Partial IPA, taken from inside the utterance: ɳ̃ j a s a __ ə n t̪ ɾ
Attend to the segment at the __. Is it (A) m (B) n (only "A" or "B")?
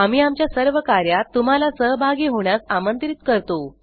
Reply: A